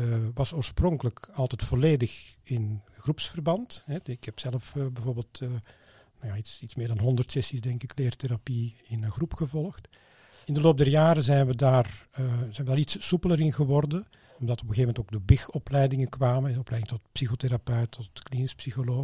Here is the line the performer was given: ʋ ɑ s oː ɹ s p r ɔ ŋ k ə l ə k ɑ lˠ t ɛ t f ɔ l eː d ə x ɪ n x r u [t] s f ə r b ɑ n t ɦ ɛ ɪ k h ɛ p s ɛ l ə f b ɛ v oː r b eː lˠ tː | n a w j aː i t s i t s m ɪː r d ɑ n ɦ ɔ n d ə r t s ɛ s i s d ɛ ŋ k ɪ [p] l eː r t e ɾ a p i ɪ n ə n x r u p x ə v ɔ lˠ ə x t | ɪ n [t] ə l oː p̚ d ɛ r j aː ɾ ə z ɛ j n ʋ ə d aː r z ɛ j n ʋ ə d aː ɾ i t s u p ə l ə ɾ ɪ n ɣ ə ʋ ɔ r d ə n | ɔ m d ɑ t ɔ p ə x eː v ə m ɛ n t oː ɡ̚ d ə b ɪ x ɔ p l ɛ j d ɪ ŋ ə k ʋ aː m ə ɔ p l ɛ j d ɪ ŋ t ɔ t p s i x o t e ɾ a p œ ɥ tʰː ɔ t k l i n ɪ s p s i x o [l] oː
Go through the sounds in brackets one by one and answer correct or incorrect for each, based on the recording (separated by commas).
incorrect, incorrect, incorrect, correct